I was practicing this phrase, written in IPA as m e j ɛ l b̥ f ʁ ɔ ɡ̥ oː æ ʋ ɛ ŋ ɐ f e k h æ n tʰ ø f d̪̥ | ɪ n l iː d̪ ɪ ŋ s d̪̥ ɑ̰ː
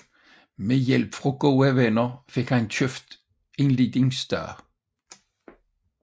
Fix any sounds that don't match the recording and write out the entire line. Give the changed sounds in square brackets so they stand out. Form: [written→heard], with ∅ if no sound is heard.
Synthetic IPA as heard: m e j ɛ l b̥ f ʁ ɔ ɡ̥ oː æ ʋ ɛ [ŋ→n] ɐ f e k h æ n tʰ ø f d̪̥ | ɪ n l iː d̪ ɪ ŋ s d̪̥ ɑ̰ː

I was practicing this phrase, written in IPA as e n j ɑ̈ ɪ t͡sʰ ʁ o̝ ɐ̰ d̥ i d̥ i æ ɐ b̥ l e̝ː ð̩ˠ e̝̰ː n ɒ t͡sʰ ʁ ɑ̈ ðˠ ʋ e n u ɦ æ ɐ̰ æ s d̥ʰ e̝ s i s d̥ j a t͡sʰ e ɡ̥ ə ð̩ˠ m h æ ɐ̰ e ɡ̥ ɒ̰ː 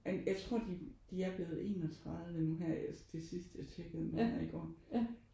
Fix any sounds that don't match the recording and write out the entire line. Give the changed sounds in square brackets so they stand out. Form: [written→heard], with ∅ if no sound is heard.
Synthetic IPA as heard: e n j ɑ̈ ɪ t͡sʰ ʁ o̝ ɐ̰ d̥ i d̥ i æ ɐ b̥ l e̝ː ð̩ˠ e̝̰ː n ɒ t͡sʰ ʁ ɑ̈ ðˠ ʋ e n u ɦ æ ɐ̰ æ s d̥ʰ e̝ s i s d̥ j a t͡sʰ e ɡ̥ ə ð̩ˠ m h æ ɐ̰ [e→i] ɡ̥ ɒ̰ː

